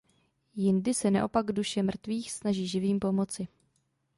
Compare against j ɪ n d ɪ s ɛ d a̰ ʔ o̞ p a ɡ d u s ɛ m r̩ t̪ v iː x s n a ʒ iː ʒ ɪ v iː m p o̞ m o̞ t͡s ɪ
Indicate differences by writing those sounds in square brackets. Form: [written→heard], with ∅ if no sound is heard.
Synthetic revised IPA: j ɪ n d ɪ s ɛ [d→n] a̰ ʔ o̞ p a ɡ d u [s→ʃ] ɛ m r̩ t̪ v iː x s n a ʒ iː ʒ ɪ v iː m p o̞ m o̞ t͡s ɪ